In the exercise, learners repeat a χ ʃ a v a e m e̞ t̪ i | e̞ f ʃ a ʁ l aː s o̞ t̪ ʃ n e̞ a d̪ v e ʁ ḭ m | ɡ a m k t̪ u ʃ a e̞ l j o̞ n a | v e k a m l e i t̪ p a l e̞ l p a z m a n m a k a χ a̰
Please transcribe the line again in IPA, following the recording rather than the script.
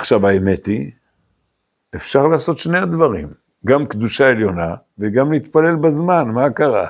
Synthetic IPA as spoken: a χ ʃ a v a e m e̞ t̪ i | e̞ f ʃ a ʁ l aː s o̞ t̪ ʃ n e̞ a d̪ v a ʁ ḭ m | ɡ a m k d̪ u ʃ a e̞ l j o̞ n a | v e ɡ a m l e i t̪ p a l e̞ l b a z m a n m a k a ʁ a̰